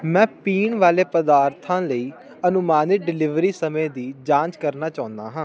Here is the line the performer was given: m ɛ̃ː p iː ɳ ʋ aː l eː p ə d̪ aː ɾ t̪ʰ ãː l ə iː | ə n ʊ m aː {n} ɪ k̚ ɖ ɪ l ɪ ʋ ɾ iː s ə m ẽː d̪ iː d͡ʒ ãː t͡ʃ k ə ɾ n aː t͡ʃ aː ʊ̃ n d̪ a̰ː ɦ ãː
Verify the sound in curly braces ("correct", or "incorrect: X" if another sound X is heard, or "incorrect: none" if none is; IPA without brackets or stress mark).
correct